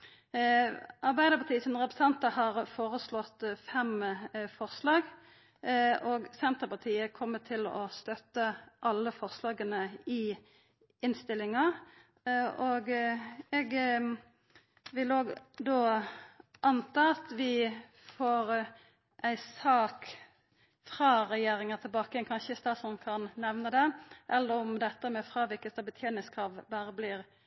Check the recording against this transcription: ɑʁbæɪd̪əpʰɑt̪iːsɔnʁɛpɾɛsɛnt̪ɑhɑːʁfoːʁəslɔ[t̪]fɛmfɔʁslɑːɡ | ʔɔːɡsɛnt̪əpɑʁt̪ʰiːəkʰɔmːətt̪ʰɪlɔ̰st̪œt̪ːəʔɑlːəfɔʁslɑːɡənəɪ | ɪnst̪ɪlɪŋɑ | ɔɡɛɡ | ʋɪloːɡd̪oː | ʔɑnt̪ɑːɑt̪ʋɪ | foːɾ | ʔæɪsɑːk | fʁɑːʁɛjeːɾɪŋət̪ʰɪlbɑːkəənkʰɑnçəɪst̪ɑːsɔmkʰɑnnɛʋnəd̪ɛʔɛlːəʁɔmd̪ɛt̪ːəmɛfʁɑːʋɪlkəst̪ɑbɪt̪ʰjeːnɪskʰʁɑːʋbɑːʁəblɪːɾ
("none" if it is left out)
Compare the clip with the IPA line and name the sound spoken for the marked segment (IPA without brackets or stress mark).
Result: t̪